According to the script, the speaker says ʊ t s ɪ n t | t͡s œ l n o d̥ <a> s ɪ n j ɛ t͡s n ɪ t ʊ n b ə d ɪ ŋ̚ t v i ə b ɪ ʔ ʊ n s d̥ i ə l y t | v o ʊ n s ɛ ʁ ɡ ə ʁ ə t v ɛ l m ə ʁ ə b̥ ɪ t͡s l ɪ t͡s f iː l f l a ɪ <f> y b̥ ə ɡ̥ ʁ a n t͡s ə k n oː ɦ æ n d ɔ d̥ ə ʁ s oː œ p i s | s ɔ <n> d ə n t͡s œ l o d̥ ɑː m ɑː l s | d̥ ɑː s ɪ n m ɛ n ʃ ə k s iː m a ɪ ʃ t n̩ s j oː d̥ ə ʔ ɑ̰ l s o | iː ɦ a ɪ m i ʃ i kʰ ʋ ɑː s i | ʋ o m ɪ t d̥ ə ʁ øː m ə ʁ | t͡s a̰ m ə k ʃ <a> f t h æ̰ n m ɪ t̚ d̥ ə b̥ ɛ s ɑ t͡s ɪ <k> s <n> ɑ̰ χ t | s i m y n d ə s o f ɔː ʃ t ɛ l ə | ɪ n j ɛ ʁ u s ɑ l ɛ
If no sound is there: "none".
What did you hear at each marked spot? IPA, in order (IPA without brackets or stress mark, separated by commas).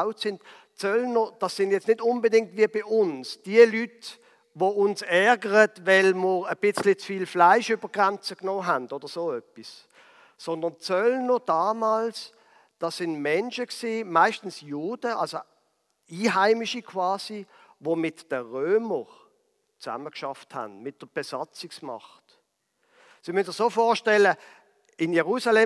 ɑ, ʃ, n, ɑ, k, m